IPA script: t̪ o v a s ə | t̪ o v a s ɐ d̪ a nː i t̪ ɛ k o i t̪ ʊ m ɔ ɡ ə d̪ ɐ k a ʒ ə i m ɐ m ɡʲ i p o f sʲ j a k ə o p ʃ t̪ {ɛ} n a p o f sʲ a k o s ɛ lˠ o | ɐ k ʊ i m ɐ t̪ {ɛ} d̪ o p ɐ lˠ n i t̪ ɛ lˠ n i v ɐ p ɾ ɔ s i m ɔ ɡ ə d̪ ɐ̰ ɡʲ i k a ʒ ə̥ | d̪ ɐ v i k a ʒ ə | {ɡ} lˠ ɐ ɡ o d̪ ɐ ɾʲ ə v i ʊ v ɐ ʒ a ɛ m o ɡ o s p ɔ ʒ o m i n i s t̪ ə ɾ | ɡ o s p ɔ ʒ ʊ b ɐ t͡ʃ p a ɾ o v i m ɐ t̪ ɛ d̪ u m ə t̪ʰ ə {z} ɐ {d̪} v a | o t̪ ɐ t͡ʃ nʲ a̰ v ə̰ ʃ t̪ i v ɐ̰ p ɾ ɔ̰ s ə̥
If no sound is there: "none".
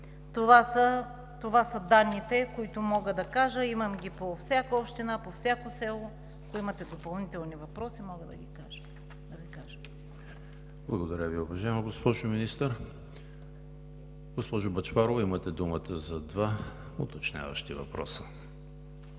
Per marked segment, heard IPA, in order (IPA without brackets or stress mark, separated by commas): i, ɛ, b, z, d̪